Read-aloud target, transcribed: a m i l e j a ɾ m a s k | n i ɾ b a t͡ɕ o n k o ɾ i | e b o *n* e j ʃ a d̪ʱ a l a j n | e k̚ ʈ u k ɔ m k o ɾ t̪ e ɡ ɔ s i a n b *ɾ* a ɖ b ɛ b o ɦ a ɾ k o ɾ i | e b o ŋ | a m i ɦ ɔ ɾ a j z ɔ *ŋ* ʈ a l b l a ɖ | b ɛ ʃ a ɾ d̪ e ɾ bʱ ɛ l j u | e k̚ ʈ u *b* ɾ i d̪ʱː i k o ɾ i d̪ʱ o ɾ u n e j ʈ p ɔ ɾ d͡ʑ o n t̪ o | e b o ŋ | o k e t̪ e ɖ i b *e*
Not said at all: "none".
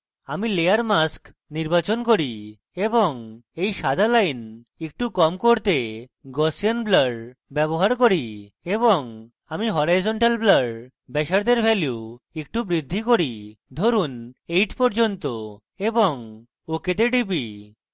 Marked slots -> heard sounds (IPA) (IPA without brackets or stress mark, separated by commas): ŋ, l, ɳ, b, i